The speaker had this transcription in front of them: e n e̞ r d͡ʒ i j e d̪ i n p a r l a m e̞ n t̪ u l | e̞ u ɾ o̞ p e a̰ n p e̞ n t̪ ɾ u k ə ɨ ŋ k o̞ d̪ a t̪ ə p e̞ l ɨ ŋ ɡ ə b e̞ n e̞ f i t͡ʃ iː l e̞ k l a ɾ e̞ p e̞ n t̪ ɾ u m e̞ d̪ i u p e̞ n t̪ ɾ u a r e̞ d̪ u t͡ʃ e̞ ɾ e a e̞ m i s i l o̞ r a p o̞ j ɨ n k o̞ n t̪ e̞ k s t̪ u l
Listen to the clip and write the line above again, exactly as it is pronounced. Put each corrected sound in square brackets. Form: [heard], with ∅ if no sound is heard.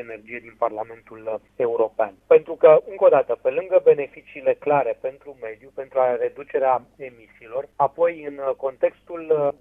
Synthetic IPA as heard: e n e̞ r d͡ʒ i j e d̪ i n p a r l a m e̞ n t̪ u l | e̞ u ɾ o̞ p e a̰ n p e̞ n t̪ ɾ u k ə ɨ ŋ k o̞ d̪ a t̪ ə p e̞ l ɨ ŋ ɡ ə b e̞ n e̞ f i t͡ʃ iː l e̞ k l a ɾ e̞ p e̞ n t̪ ɾ u m e̞ d̪ [j] u p e̞ n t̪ ɾ u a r e̞ d̪ u t͡ʃ e̞ ɾ e a e̞ m i s [iː] l o̞ r a p o̞ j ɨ n k o̞ n t̪ e̞ k s t̪ u l